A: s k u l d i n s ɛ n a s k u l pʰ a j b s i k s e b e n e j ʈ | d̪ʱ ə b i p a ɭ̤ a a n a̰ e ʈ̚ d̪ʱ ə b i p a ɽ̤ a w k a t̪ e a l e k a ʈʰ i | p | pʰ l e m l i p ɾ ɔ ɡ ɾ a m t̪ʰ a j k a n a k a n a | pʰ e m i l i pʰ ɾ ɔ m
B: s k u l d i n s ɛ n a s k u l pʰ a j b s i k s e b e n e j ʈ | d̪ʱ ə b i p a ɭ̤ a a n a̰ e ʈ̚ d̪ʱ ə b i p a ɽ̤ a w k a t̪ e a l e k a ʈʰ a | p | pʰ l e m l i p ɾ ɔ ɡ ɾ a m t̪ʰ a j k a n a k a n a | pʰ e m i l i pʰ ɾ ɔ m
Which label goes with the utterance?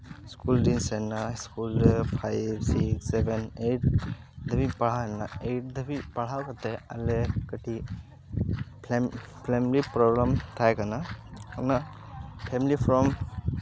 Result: A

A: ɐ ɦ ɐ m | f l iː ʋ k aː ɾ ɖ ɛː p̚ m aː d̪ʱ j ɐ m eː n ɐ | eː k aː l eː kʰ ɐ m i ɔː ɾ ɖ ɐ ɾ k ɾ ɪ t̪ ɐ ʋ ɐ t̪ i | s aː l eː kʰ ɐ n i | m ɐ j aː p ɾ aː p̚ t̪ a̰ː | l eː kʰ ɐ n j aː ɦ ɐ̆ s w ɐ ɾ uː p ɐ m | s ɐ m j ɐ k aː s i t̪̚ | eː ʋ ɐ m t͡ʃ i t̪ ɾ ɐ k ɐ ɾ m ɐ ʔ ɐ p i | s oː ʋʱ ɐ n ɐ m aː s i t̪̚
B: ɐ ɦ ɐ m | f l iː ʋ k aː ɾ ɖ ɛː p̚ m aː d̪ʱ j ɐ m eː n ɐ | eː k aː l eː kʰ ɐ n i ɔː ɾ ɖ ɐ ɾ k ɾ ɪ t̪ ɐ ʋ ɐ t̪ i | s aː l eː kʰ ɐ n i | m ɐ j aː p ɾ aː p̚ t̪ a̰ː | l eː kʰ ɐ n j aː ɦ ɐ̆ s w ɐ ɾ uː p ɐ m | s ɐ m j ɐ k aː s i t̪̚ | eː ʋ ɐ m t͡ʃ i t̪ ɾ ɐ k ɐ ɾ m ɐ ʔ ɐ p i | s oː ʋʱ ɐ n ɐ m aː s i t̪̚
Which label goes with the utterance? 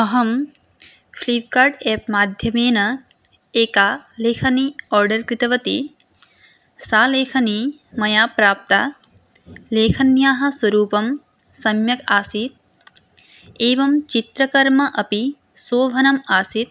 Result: B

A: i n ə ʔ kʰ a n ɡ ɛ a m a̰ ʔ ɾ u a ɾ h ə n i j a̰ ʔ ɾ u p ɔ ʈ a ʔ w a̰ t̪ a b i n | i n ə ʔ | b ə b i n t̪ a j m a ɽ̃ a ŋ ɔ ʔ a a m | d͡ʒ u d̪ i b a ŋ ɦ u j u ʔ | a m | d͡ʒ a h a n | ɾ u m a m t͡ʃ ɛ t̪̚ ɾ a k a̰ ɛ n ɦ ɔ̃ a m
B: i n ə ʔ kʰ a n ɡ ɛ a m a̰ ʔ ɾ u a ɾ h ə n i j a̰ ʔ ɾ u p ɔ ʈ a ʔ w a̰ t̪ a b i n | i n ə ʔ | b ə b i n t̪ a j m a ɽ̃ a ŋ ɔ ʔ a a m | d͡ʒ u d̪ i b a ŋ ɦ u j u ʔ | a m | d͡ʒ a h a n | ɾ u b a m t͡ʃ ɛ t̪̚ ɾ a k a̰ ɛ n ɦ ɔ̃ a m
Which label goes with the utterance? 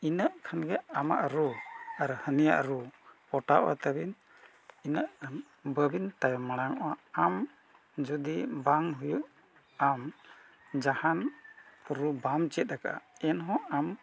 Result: B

